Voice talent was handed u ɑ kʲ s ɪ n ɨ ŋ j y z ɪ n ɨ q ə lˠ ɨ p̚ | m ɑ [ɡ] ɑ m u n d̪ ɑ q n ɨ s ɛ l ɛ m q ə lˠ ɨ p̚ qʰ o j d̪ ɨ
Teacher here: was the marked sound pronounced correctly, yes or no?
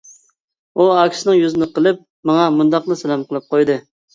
no